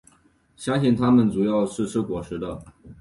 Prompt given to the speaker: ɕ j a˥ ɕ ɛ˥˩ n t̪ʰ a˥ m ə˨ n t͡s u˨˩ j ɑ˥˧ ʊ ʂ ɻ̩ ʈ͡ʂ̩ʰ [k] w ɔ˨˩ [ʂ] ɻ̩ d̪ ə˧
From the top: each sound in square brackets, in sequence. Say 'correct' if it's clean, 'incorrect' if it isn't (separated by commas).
correct, correct